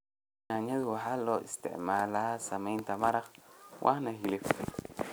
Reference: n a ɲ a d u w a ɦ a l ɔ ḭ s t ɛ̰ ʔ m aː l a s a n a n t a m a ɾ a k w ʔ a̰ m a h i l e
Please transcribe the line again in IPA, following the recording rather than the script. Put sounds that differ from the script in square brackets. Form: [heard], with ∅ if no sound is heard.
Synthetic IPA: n a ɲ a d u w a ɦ a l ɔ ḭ s t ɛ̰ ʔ m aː l a s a [m] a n t a m a ɾ a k w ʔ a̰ [n] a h i l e